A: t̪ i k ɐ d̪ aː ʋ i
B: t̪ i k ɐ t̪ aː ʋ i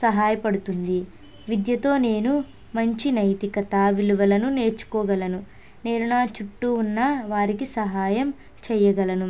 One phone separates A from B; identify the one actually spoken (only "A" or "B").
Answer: B